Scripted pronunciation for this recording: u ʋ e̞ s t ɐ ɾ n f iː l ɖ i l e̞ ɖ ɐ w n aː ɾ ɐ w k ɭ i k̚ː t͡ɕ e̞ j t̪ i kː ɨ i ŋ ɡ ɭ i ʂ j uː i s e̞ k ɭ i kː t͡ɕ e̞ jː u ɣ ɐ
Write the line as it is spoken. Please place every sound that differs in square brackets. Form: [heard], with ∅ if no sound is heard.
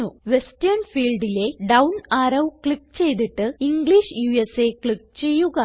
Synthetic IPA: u ʋ e̞ s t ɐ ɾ n f iː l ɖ i l e̞ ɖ ɐ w n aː ɾ ɐ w k ɭ i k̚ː t͡ɕ e̞ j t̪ i [ʈː] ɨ i ŋ ɡ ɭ i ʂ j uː [e] s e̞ k ɭ i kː t͡ɕ e̞ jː u ɣ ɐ